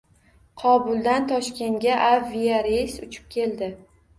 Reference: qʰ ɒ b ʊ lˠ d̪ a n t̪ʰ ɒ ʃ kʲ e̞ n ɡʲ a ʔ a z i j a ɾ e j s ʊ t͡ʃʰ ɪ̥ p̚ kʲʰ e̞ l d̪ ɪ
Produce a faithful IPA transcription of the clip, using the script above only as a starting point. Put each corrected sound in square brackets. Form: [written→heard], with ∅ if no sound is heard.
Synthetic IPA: qʰ ɒ b ʊ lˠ d̪ a n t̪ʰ ɒ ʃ kʲ e̞ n ɡʲ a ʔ a [z→v] i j a ɾ e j s ʊ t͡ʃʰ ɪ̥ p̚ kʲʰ e̞ l d̪ ɪ